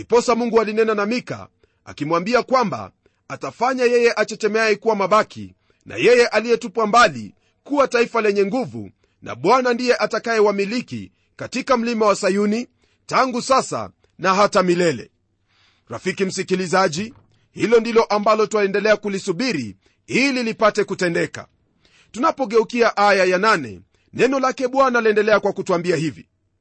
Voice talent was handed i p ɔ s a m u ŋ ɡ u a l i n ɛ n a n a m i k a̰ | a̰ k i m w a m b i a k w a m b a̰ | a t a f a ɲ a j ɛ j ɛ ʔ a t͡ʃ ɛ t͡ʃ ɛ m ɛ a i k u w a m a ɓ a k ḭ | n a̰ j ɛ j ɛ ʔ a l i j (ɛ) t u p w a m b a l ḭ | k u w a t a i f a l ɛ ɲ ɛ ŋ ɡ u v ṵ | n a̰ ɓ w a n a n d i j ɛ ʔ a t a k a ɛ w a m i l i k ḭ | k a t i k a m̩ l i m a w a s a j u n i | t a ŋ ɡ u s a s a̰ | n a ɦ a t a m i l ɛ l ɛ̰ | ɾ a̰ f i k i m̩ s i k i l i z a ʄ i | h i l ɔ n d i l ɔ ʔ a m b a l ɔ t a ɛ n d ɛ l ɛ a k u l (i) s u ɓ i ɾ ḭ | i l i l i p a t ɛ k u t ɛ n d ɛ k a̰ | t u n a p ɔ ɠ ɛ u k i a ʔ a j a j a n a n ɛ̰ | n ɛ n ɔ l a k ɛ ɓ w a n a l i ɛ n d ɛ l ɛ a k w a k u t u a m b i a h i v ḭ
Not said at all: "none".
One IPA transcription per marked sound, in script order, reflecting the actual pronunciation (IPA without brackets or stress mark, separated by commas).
ɛ, i